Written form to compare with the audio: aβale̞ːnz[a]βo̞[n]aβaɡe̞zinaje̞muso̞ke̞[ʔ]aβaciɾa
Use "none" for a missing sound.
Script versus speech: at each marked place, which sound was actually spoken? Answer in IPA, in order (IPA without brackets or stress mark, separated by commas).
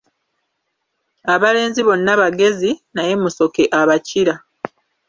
i, nː, ʔ